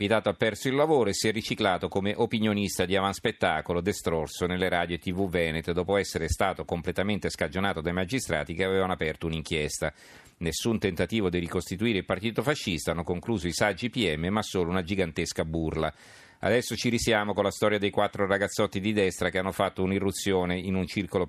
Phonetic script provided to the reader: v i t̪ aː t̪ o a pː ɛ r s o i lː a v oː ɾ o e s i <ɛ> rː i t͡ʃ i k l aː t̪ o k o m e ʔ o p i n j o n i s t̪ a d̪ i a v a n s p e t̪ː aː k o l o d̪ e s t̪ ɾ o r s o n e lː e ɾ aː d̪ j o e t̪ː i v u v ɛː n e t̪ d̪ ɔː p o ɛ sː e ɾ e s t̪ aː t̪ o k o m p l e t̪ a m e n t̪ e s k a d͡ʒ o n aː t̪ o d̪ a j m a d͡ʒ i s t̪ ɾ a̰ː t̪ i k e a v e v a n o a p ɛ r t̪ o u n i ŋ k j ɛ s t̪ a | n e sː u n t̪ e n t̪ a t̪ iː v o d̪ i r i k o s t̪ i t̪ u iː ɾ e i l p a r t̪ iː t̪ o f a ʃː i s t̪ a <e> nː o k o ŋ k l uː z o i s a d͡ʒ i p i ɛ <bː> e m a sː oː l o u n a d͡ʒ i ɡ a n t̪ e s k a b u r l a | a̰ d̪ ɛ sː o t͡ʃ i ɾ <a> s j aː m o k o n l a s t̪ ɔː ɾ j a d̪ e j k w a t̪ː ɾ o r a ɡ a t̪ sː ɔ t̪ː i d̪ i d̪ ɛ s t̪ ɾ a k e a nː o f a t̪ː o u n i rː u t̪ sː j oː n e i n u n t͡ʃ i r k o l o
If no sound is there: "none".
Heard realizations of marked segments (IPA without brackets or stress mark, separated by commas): ɛ, a, mː, i